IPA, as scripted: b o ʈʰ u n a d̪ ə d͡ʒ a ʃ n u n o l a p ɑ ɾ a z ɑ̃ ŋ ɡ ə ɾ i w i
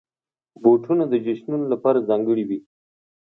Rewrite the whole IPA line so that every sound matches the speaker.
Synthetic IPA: b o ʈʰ u n a d̪ ə d͡ʒ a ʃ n u n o l a p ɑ ɾ a z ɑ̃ ŋ ɡ ə ɽ i w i